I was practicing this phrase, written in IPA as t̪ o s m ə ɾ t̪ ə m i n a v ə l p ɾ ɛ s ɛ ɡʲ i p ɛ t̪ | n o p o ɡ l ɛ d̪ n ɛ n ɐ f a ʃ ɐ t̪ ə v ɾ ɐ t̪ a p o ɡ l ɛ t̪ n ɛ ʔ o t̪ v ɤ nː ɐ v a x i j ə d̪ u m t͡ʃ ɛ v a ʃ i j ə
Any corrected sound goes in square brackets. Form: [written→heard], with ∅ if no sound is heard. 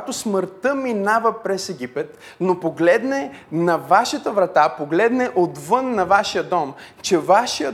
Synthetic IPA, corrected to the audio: t̪ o s m ə ɾ t̪ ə m i n a v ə [l→∅] p ɾ ɛ s ɛ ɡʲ i p ɛ t̪ | n o p o ɡ l ɛ d̪ n ɛ n ɐ [f→v] a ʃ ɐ t̪ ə v ɾ ɐ t̪ a p o ɡ l ɛ [t̪→d̪] n ɛ ʔ o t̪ v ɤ nː ɐ v a [x→ʃ] i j ə d̪ [u→ɔ] m t͡ʃ ɛ v a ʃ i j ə